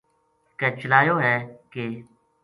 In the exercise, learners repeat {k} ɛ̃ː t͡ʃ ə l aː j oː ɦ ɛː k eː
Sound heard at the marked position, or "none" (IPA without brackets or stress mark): k